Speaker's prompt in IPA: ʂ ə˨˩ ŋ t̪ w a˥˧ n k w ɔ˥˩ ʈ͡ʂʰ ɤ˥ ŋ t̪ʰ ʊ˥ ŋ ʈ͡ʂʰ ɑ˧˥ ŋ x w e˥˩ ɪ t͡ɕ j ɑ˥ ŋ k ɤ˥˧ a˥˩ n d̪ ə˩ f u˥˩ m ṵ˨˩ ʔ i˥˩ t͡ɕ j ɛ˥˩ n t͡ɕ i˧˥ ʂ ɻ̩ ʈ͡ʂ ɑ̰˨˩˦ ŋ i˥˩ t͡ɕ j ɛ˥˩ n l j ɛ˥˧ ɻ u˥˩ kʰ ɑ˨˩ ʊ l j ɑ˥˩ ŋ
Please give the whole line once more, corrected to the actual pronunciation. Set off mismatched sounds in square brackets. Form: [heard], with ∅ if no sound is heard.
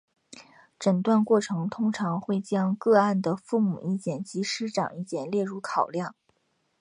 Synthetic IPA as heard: [ʈ͡ʂ] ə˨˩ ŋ t̪ w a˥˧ n k w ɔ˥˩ ʈ͡ʂʰ [ɤ˧˥] ŋ t̪ʰ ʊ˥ ŋ ʈ͡ʂʰ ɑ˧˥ ŋ x w e˥˩ ɪ t͡ɕ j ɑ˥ ŋ k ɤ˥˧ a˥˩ n d̪ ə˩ f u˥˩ m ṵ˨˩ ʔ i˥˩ t͡ɕ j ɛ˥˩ n t͡ɕ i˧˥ ʂ ɻ̩ ʈ͡ʂ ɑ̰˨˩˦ ŋ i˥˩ t͡ɕ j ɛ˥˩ n l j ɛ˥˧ ɻ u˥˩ kʰ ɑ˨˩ ʊ l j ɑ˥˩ ŋ

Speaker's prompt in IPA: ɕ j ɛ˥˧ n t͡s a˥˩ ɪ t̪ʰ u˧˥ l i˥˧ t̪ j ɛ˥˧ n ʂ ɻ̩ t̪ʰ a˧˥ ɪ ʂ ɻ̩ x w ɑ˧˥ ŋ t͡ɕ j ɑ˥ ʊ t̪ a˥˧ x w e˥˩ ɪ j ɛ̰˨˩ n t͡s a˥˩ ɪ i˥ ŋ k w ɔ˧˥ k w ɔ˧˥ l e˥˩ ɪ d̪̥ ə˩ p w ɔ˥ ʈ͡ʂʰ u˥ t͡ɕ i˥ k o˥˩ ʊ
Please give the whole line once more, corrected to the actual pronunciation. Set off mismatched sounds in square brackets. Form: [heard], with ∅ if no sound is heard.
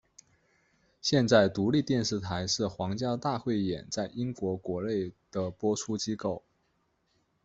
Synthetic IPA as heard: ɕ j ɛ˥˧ n t͡s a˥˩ ɪ [t̪] u˧˥ l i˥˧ t̪ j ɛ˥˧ n ʂ ɻ̩ t̪ʰ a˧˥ ɪ ʂ ɻ̩ x w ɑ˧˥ ŋ t͡ɕ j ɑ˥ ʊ t̪ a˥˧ x w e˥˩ ɪ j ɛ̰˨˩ n t͡s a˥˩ ɪ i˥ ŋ k w ɔ˧˥ k w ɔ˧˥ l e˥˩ ɪ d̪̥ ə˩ p w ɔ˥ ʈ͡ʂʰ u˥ t͡ɕ i˥ k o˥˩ ʊ

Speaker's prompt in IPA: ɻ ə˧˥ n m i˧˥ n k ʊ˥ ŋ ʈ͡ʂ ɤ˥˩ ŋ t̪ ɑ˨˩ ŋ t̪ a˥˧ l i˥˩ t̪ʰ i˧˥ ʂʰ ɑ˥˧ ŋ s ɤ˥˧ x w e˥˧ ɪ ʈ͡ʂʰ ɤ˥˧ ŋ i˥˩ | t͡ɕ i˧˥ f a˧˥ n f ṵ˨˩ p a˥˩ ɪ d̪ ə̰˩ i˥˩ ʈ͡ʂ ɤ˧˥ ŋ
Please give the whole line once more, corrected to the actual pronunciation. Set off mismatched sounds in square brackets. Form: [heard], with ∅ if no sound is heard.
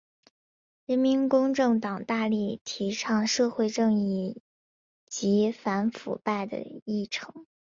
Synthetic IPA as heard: ɻ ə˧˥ n m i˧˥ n k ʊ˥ ŋ ʈ͡ʂ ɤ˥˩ ŋ t̪ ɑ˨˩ ŋ t̪ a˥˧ l i˥˩ t̪ʰ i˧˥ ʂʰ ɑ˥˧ ŋ [ʂ] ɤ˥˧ x w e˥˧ ɪ [ʈ͡ʂ] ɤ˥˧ ŋ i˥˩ | t͡ɕ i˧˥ f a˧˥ n f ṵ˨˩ p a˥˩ ɪ d̪ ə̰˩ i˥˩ [ʈ͡ʂʰ] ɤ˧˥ ŋ

